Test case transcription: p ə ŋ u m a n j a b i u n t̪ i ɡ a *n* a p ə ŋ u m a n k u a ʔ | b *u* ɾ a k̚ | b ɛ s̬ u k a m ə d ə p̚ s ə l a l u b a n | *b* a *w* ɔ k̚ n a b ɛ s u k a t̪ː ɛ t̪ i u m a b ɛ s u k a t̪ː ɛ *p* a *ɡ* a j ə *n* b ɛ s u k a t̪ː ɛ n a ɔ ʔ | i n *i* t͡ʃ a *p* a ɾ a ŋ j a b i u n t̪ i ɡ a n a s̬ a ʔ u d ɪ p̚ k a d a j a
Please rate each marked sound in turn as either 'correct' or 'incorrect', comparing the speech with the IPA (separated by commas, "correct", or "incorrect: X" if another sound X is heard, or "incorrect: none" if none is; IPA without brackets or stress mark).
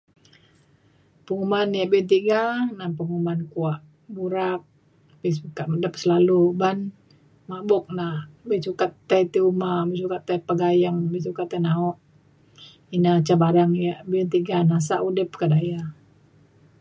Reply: correct, correct, incorrect: m, incorrect: b, correct, correct, incorrect: ŋ, incorrect: a, incorrect: b